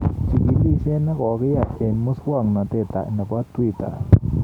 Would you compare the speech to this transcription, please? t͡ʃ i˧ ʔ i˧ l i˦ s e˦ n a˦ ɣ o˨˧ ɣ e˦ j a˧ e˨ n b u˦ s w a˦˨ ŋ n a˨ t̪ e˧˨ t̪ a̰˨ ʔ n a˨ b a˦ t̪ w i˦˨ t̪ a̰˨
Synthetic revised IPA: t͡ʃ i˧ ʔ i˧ l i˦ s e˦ n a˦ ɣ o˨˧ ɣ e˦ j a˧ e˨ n m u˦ s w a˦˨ ŋ n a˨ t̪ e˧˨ t̪ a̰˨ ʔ n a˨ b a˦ t̪ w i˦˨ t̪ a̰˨